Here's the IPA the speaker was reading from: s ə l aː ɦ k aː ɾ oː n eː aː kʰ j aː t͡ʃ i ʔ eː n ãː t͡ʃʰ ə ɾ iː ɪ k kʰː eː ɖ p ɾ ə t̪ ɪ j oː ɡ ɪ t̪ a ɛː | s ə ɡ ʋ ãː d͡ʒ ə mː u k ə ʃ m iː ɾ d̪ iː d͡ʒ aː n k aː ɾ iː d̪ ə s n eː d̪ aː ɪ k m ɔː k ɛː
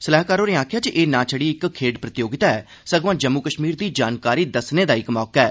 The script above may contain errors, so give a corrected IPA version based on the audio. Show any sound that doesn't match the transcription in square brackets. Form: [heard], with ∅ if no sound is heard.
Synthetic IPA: s ə l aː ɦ k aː ɾ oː n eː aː kʰ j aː t͡ʃ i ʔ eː n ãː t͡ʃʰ ə [ɽ] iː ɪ k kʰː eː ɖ p ɾ ə t̪ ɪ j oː ɡ ɪ t̪ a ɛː | s ə ɡ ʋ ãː d͡ʒ ə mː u k ə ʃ m iː ɾ d̪ iː d͡ʒ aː n k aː ɾ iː d̪ ə s n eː d̪ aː ɪ k m ɔː k ɛː

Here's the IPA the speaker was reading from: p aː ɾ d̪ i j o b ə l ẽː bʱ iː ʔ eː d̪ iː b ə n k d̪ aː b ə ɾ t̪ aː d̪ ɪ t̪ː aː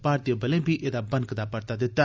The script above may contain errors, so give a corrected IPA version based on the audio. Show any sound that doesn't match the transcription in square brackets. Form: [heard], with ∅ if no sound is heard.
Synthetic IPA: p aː ɾ [t̪] i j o b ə l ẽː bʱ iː ʔ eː d̪ [aː] b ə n k d̪ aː [p] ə ɾ t̪ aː d̪ ɪ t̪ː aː

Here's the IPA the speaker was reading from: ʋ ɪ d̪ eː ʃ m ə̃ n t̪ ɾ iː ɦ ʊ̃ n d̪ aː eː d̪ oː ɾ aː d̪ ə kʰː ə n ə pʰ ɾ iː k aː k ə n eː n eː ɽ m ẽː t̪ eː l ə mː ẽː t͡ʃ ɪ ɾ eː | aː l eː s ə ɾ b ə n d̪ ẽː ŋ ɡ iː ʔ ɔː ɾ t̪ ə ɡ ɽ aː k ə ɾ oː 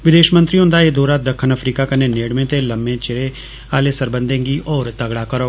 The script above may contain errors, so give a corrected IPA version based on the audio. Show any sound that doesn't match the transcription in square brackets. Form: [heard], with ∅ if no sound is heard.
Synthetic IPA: ʋ ɪ d̪ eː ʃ m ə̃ n t̪ ɾ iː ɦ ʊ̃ n d̪ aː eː d̪ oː ɾ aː d̪ ə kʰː ə n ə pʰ ɾ iː k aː k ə n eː n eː ɽ m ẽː t̪ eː l ə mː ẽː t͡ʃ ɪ ɾ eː | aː l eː s ə ɾ b ə n d̪ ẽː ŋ ɡ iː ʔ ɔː ɾ t̪ ə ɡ ɽ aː k ə ɾ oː

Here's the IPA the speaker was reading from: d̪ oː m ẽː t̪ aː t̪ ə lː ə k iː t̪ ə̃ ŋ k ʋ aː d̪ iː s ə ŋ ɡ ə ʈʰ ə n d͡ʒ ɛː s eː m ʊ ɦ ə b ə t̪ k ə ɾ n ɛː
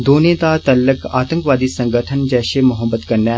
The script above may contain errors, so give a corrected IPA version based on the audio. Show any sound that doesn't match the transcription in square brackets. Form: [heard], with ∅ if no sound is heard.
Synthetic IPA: d̪ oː [n] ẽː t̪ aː t̪ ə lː ə k [aː] t̪ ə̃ ŋ k ʋ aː d̪ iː s ə ŋ ɡ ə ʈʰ ə n d͡ʒ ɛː [ʃ] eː m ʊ ɦ ə b ə t̪ k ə ɾ n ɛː

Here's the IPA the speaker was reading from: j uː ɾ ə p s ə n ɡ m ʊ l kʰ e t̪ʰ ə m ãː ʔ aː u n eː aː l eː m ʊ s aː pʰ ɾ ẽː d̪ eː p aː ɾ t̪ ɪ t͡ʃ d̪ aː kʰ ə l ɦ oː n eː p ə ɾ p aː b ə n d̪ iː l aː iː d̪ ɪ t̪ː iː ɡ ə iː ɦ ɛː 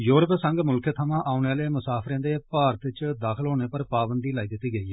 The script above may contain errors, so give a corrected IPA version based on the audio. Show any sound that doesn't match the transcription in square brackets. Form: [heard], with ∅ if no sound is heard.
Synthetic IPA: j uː ɾ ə p s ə [ŋ] ɡ m ʊ l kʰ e t̪ʰ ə m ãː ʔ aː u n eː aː l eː m ʊ s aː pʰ ɾ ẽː d̪ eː p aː ɾ t̪ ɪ t͡ʃ d̪ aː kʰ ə l ɦ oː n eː p ə ɾ p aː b ə n d̪ iː l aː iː d̪ ɪ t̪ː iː ɡ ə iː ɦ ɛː

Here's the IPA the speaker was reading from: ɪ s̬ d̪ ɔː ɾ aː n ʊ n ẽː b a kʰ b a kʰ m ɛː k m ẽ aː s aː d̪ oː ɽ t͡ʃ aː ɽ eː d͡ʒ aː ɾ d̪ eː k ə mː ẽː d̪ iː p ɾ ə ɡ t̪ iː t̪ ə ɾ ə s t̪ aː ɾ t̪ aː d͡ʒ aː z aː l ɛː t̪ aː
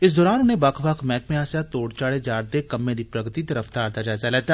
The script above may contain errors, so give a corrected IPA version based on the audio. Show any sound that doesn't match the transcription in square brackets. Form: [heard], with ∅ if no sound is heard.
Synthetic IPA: ɪ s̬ d̪ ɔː ɾ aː n ʊ n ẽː b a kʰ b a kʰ m ɛː k m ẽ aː s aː [t̪] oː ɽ t͡ʃ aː ɽ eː d͡ʒ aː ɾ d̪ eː k ə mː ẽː d̪ iː p ɾ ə ɡ t̪ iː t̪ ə ɾ ə [f] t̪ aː ɾ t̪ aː d͡ʒ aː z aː l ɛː t̪ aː

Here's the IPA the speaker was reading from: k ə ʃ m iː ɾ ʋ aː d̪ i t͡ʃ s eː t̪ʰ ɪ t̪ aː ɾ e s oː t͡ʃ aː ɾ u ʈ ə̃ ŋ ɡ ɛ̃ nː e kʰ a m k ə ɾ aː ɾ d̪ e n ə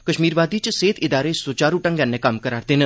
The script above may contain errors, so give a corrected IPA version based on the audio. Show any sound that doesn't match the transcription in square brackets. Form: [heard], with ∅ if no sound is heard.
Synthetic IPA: k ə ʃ m iː ɾ ʋ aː d̪ i t͡ʃ s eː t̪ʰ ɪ [d̪] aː ɾ e s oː t͡ʃ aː ɾ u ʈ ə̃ ŋ ɡ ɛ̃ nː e [k] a m k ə ɾ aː ɾ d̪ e n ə

